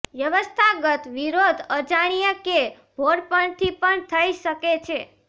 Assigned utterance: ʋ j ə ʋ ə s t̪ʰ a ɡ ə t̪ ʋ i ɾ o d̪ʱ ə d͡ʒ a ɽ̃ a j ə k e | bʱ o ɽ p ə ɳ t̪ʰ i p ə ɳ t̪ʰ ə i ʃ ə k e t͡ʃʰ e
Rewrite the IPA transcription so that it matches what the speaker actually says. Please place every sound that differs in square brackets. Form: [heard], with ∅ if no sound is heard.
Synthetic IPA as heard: ʋ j ə ʋ ə s t̪ʰ a ɡ ə t̪ ʋ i ɾ o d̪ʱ ə d͡ʒ a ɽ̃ [i] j ə k e | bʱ o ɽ p ə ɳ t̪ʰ i p ə ɳ t̪ʰ ə i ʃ ə k e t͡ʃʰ e